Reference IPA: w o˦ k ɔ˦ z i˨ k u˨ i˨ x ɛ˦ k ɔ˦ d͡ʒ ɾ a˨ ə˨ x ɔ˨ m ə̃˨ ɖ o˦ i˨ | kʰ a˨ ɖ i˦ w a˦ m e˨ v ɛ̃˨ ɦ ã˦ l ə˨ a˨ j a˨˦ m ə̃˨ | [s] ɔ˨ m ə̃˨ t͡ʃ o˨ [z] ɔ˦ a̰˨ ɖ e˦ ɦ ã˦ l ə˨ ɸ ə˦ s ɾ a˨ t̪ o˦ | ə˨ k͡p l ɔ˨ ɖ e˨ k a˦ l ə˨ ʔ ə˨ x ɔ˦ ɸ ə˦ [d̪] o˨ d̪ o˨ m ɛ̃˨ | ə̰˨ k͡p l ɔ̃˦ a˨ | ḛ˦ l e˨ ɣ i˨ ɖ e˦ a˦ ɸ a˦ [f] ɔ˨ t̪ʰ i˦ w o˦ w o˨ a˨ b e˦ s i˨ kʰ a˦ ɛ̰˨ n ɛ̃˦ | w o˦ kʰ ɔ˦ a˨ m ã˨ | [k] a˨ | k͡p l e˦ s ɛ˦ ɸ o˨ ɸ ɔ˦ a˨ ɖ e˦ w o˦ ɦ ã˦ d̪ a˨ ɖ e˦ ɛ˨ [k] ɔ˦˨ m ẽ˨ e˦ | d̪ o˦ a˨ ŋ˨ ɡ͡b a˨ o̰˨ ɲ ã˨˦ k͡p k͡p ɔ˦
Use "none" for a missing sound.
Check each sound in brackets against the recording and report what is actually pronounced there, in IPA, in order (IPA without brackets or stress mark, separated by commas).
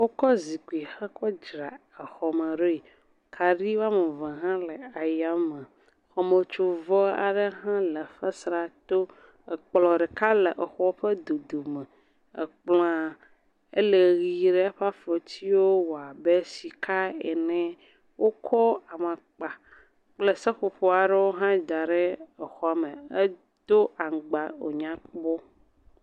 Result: x, v, d̪, f, k͡p, x